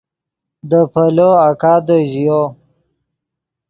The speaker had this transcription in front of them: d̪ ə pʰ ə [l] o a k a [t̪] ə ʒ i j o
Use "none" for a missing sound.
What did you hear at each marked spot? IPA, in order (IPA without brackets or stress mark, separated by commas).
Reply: l, d̪